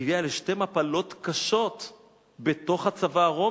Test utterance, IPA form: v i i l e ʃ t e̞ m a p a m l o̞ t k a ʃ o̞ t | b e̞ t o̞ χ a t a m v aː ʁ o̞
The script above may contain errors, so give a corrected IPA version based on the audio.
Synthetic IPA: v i a l e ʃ t e̞ m a p a l o̞ t k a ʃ o̞ t | b e̞ t o̞ χ a t͡s a v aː ʁ o̞